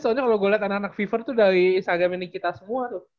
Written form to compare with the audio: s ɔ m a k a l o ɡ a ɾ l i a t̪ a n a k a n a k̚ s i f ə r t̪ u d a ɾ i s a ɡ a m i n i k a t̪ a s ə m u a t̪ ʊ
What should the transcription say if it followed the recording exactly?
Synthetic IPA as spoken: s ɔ ɲ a k a l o ɡ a l i a t̪ a n a k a n a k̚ f i f ə r t̪ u d a ɾ i s a ɡ a m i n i k i t̪ a s ə m u a t̪ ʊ